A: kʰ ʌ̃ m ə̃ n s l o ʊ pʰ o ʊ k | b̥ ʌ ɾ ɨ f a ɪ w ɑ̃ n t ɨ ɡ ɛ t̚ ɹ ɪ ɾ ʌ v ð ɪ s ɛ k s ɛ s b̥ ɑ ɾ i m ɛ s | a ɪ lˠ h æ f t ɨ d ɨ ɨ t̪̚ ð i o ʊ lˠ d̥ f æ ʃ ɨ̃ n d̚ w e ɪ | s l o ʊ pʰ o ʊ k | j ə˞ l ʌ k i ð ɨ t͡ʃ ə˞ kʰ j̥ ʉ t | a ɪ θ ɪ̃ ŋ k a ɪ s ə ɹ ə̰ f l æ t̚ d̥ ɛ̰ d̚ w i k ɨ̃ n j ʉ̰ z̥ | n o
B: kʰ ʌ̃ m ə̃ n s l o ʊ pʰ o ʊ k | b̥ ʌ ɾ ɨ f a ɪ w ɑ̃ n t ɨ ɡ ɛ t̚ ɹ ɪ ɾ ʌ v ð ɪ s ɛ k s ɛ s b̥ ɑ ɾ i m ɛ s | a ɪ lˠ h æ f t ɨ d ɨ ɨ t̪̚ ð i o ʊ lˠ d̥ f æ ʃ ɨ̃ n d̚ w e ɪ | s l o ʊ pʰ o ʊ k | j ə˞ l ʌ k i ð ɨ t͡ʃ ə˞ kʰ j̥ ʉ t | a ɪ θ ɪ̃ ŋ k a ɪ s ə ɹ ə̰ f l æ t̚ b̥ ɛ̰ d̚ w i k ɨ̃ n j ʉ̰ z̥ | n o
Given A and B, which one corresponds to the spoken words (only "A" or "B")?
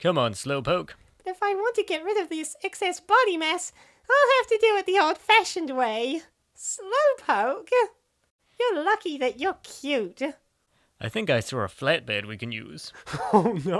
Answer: B